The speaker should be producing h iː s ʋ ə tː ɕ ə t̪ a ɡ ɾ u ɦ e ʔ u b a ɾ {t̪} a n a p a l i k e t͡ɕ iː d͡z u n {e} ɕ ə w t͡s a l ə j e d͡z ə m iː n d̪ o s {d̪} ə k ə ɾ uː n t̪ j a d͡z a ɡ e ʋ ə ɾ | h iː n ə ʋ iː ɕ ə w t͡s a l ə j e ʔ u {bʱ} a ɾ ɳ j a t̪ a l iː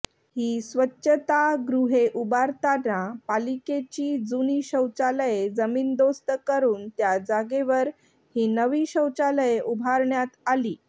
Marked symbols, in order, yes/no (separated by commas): yes, no, no, yes